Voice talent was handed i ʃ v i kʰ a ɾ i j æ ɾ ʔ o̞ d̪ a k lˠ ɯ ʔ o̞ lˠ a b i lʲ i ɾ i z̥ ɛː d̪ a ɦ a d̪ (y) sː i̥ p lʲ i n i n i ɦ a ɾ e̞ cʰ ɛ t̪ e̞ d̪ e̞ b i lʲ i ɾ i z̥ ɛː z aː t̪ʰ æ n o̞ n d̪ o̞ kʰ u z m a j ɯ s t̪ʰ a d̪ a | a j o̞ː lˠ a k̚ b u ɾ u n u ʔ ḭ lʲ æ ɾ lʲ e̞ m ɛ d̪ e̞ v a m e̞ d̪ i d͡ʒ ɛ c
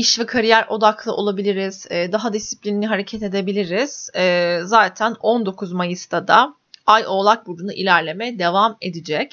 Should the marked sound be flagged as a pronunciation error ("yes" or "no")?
yes